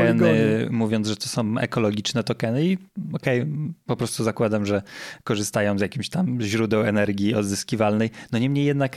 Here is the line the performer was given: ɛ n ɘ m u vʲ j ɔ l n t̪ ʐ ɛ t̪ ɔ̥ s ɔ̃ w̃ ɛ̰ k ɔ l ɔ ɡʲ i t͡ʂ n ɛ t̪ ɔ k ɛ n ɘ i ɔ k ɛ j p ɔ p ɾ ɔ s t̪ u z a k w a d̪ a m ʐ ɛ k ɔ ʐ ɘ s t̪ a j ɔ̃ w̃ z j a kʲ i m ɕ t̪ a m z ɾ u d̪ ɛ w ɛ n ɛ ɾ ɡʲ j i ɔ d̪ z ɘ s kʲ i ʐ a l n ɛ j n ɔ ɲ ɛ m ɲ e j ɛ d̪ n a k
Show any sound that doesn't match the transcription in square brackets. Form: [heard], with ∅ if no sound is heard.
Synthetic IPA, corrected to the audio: ɛ n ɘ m u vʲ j ɔ [∅] n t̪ ʐ ɛ t̪ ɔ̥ s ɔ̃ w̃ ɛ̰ k ɔ l ɔ ɡʲ i t͡ʂ n ɛ t̪ ɔ k ɛ n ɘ i ɔ k ɛ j p ɔ p ɾ ɔ s t̪ u z a k w a d̪ a m ʐ ɛ k ɔ ʐ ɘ s t̪ a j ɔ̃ w̃ z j a kʲ i m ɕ t̪ a m [ʑ] ɾ u d̪ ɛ w ɛ n ɛ ɾ ɡʲ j i ɔ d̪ z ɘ s kʲ i [v] a l n ɛ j n ɔ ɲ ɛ m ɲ e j ɛ d̪ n a k